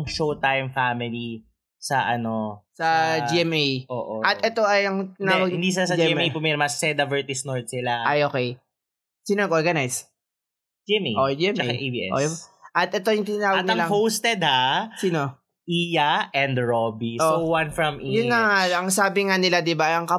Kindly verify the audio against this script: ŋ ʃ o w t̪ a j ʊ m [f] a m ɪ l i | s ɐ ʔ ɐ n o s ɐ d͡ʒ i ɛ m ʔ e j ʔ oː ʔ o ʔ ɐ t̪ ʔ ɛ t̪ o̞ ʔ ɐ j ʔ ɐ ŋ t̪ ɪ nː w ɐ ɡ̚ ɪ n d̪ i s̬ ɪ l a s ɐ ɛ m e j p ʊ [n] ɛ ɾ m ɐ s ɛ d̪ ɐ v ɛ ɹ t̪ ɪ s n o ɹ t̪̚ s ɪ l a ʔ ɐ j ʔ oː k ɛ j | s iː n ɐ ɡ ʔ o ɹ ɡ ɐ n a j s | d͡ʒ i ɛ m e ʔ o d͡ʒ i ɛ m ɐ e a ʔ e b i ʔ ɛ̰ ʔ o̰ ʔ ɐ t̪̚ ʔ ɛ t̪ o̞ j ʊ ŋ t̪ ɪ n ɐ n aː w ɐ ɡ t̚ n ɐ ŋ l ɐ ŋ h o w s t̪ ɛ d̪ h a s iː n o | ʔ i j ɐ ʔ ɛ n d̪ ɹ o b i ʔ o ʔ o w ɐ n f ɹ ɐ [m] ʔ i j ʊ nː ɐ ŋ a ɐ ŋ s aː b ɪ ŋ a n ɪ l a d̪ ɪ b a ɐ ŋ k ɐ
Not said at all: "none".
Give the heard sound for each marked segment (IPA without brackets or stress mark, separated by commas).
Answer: f, m, m